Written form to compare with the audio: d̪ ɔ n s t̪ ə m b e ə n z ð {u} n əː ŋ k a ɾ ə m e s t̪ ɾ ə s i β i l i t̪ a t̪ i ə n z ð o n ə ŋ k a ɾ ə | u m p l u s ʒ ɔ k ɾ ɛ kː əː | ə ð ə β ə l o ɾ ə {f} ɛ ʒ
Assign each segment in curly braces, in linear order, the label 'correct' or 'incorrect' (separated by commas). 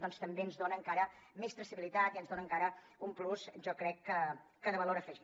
incorrect, correct